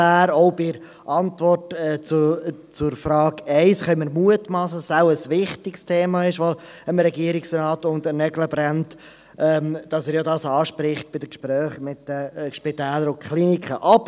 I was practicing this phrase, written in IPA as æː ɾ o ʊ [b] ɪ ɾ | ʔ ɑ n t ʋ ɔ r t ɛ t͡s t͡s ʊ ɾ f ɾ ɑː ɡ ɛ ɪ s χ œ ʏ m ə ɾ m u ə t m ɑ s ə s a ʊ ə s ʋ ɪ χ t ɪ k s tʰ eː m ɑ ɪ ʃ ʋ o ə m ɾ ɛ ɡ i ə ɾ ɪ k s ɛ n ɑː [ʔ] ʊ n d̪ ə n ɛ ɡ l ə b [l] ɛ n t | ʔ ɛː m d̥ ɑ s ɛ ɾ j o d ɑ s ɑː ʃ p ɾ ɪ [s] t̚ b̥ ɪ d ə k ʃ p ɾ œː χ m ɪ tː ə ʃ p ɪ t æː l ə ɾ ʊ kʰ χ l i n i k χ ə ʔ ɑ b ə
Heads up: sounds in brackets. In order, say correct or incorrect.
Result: correct, incorrect: t, incorrect: ɾ, incorrect: χ

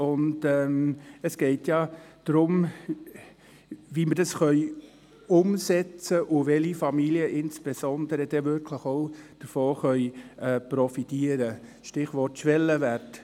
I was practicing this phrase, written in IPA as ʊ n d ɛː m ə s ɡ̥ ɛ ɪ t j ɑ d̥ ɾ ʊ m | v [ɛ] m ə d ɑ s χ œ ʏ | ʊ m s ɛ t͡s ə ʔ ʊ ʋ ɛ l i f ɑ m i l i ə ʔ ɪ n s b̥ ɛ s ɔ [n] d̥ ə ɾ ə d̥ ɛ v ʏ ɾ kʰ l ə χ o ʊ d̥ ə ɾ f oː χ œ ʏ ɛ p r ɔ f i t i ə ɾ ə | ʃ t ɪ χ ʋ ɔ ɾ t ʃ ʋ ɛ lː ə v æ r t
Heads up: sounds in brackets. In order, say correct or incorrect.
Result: incorrect: i, correct

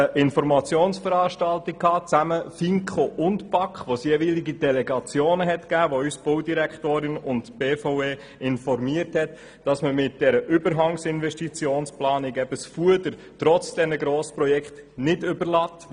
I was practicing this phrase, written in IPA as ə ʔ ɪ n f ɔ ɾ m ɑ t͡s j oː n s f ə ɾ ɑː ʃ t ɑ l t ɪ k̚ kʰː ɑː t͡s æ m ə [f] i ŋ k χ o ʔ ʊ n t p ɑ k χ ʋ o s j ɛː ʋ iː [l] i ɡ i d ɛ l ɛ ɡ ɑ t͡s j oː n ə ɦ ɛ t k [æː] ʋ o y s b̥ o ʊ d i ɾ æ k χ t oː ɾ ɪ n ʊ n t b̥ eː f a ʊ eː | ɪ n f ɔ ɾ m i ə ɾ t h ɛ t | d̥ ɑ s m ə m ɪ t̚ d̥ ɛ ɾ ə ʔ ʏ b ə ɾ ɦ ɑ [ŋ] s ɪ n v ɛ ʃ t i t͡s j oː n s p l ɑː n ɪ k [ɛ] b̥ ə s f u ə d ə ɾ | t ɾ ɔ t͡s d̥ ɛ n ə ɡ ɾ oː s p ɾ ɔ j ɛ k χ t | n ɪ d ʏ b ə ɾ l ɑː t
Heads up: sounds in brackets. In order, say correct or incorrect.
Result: correct, correct, correct, correct, correct

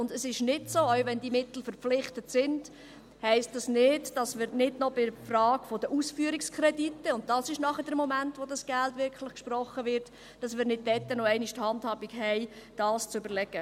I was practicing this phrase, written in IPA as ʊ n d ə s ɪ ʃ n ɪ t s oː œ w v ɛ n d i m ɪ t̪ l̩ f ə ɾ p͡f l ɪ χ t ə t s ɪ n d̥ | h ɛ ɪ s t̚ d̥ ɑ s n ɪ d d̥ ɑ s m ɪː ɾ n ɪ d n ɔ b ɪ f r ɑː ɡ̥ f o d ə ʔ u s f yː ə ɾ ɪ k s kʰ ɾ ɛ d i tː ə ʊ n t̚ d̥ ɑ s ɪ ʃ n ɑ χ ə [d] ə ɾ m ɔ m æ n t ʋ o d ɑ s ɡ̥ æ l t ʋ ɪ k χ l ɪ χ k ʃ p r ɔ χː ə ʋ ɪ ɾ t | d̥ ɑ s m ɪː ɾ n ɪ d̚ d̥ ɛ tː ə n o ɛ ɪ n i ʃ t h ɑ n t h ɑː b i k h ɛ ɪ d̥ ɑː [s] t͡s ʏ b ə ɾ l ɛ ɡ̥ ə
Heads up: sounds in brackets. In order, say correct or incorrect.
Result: correct, correct

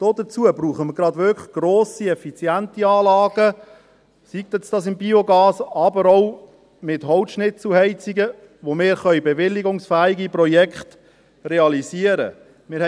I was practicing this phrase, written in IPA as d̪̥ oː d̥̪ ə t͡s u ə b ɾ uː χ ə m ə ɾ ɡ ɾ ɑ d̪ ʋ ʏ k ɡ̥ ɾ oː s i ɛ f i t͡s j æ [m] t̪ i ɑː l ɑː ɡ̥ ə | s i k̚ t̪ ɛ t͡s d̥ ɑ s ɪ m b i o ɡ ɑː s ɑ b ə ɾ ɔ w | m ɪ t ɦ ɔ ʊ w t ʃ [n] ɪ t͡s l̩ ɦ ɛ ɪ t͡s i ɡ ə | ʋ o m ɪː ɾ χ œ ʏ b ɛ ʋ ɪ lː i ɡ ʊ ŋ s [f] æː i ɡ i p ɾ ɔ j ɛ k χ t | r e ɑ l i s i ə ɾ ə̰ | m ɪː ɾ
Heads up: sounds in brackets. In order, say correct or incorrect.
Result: incorrect: n, correct, correct

